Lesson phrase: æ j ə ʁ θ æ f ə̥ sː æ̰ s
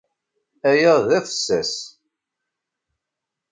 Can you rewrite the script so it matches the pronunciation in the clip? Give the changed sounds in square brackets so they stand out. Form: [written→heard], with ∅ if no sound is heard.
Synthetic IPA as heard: æ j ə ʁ [θ→ð] æ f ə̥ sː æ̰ s